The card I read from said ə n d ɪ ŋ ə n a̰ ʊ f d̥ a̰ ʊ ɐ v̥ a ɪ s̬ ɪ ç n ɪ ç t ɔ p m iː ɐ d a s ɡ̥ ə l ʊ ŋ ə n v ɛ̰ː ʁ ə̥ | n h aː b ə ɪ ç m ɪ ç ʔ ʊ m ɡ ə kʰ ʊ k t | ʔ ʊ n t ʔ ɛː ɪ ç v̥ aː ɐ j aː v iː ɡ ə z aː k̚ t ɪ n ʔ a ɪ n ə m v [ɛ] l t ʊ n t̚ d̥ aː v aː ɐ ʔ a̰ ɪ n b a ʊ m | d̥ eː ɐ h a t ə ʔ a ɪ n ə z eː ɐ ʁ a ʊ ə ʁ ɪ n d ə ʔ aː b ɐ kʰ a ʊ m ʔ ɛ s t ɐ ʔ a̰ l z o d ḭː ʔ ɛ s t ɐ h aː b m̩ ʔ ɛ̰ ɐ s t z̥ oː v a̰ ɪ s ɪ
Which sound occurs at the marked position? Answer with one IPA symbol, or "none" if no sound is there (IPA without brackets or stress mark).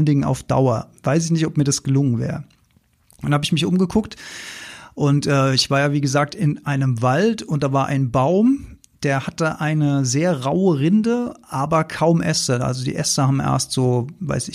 a